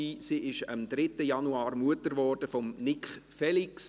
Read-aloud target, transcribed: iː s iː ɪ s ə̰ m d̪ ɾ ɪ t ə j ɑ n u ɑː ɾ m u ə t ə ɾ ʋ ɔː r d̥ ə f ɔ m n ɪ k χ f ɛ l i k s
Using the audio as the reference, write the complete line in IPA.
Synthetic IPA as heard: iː s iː ɪ ʃ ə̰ m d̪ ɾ ɪ t ə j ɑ n u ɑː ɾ m u ə t ə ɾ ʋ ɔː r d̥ ə f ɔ m n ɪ k χ f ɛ l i k s